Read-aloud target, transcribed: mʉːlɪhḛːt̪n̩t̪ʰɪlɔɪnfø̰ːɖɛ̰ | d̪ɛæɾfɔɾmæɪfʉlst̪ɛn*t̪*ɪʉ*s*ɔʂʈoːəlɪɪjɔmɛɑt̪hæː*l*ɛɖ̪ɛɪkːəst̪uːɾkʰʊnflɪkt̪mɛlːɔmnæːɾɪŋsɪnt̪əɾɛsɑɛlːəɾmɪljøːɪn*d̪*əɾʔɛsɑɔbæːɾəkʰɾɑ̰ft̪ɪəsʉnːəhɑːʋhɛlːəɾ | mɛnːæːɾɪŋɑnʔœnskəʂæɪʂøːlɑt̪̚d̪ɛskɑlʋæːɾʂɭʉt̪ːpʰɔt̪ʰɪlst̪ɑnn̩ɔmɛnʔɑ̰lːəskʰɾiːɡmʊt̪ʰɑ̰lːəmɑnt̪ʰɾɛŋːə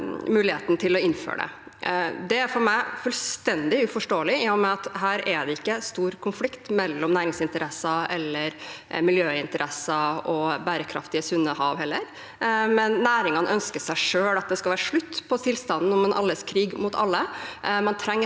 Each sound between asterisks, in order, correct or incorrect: incorrect: d̪, incorrect: f, incorrect: ɾ, incorrect: t̪

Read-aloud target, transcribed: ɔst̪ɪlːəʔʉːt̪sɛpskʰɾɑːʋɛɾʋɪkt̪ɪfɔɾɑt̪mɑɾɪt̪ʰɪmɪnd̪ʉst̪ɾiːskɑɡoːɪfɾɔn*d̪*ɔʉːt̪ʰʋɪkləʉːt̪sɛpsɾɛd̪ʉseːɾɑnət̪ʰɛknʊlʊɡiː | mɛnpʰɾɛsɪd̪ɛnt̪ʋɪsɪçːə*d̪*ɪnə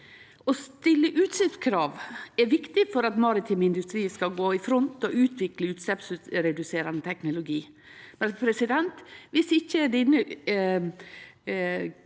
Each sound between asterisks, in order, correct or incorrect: incorrect: t̪, correct

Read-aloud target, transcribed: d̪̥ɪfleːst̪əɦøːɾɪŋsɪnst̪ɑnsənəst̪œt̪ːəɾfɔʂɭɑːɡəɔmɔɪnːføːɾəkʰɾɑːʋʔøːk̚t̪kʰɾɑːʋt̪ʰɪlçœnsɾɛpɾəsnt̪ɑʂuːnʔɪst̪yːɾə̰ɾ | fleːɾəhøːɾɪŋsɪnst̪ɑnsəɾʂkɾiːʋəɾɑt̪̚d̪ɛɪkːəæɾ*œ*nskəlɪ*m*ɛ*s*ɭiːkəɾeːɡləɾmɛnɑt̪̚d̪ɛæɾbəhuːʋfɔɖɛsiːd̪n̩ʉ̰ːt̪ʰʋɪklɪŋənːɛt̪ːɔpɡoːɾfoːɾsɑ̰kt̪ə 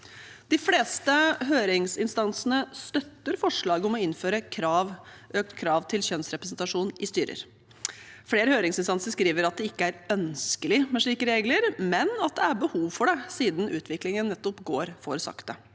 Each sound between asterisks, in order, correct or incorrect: correct, correct, incorrect: ʂ

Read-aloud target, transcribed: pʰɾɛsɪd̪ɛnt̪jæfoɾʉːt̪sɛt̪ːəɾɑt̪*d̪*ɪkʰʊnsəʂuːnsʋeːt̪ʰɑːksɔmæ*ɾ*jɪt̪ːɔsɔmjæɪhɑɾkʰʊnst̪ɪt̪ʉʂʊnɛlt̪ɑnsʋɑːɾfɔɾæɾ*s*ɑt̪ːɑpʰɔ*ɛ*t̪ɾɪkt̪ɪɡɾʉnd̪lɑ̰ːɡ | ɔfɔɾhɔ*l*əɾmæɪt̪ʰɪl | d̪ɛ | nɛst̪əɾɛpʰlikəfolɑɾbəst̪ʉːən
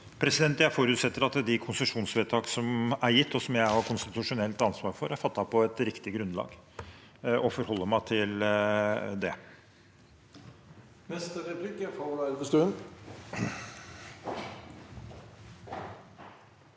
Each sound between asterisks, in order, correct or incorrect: correct, correct, incorrect: f, correct, incorrect: lː

